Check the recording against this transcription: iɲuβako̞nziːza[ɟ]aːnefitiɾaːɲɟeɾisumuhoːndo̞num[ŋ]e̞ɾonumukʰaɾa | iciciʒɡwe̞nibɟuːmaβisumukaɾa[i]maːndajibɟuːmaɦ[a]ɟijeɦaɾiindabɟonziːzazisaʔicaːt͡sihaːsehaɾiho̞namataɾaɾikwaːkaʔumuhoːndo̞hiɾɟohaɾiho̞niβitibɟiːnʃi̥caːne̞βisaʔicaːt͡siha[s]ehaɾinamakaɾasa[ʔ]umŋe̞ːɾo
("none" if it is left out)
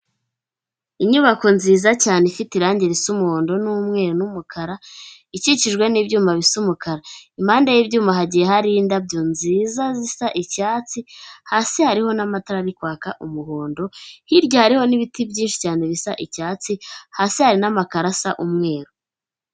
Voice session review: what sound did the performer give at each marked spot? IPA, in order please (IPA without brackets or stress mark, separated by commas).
c, ŋ, i, a, s, ʔ